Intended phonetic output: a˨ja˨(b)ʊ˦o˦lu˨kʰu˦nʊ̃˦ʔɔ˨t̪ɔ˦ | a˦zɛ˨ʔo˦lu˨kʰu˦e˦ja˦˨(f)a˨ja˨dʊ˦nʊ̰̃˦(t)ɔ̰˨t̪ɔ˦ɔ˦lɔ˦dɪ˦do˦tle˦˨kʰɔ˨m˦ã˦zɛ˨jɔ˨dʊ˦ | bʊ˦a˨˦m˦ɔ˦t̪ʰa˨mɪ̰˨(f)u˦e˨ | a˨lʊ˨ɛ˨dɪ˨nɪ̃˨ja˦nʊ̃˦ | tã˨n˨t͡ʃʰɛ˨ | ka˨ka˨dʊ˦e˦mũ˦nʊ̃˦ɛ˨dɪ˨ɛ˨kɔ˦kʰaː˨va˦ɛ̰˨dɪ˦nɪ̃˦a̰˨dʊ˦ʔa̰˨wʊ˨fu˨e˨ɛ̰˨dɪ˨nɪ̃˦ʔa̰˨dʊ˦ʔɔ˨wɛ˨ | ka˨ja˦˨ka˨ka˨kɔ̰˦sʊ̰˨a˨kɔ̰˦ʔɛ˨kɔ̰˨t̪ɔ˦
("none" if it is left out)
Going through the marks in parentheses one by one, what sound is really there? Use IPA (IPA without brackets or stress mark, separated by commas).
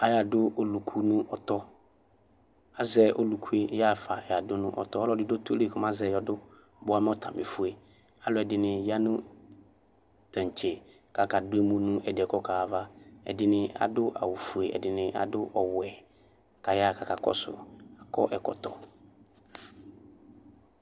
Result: d, f, ʔ, f